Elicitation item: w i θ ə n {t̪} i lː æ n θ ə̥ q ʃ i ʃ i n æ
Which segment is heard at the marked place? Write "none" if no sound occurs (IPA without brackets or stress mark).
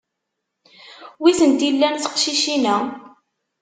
t̪